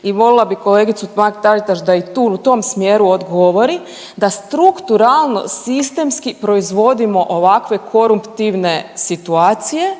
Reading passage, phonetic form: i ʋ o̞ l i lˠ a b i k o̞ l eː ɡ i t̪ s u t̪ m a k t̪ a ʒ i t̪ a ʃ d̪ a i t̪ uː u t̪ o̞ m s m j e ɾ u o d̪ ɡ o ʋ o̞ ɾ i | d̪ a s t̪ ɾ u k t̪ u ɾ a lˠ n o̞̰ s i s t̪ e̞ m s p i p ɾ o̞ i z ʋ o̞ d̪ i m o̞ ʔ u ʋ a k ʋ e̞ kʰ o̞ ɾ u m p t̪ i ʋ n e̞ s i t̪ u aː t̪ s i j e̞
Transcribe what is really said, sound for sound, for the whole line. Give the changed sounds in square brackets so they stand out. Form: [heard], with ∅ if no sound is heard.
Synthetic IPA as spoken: i ʋ o̞ l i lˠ a b i k o̞ l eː ɡ i t̪ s u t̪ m a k t̪ a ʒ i t̪ a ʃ d̪ a i t̪ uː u t̪ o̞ m s m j e ɾ u o d̪ ɡ o ʋ o̞ ɾ i | d̪ a s t̪ ɾ u k t̪ u ɾ a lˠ n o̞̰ s i s t̪ e̞ m s [k] i p ɾ o̞ i z ʋ o̞ d̪ i m o̞ ʔ [o] ʋ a k ʋ e̞ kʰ o̞ ɾ u m p t̪ i ʋ n e̞ s i t̪ u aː t̪ s i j e̞